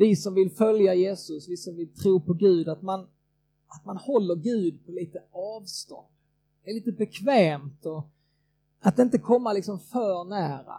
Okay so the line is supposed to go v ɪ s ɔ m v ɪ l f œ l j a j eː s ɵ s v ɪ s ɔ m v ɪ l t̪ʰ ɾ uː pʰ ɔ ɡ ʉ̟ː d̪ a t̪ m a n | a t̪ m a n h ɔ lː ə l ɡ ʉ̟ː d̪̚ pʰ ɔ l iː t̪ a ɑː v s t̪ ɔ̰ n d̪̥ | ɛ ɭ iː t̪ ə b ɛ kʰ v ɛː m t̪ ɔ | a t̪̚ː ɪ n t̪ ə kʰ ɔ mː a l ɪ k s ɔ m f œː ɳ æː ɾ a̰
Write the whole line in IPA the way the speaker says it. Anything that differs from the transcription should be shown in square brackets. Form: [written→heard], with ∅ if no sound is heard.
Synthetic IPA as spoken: v ɪ s ɔ m v ɪ l f œ l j a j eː s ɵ s v ɪ s ɔ m v ɪ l t̪ʰ ɾ uː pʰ ɔ ɡ ʉ̟ː d̪ a t̪ m a n | a t̪ m a n h ɔ lː ə [l→ɾ] ɡ ʉ̟ː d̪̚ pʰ ɔ l iː t̪ [a→ə] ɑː v s t̪ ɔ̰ n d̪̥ | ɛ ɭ iː t̪ ə b ɛ kʰ v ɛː m t̪ ɔ | a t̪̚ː ɪ n t̪ ə kʰ ɔ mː a l ɪ k s ɔ m f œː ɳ æː ɾ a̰